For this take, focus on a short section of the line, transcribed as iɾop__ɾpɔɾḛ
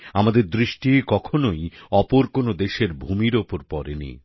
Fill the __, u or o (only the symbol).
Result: o